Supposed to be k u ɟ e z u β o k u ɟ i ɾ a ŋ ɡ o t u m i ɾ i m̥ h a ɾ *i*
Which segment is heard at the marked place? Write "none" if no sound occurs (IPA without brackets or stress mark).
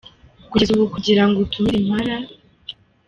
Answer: a